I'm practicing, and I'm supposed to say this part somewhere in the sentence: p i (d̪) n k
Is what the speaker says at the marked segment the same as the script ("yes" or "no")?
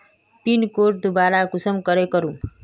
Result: no